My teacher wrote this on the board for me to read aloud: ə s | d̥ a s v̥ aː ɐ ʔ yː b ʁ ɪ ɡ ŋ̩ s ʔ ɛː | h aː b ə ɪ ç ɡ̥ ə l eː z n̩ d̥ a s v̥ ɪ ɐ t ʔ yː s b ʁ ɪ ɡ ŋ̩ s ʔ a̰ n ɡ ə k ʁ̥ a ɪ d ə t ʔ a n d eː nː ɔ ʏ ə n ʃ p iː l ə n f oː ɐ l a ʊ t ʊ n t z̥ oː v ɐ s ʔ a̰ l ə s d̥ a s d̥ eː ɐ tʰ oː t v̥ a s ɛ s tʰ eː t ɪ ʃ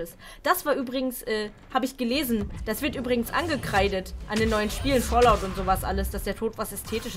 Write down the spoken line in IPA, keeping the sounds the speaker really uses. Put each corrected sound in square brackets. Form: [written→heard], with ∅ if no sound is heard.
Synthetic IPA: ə s | d̥ a s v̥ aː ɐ ʔ yː b ʁ ɪ ɡ ŋ̩ s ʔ ɛː | h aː b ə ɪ ç ɡ̥ ə l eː z n̩ d̥ a s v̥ ɪ ɐ t ʔ yː [s→∅] b ʁ ɪ ɡ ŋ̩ s ʔ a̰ n ɡ ə k ʁ̥ a ɪ d ə t ʔ a n d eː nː ɔ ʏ ə n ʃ p iː l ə n f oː ɐ l a ʊ t ʊ n t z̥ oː v [ɐ→a] s ʔ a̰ l ə s d̥ a s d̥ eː ɐ tʰ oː t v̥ a s ɛ s tʰ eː t ɪ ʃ